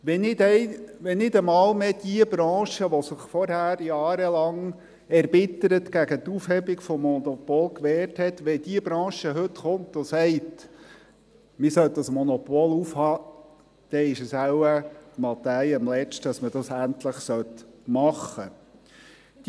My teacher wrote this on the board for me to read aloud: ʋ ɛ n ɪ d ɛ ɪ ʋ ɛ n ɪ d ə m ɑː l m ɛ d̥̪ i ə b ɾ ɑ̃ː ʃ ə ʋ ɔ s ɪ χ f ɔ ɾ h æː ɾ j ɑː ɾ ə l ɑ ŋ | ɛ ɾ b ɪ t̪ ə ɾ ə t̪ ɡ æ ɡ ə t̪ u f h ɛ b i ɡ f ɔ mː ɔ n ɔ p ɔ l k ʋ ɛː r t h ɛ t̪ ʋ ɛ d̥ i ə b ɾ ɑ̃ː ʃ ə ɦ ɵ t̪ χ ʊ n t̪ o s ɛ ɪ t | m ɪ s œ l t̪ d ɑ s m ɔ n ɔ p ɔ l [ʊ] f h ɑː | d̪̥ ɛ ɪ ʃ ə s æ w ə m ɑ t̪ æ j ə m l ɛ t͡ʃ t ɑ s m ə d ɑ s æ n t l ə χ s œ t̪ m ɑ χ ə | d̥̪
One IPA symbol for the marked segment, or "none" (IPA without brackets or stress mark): u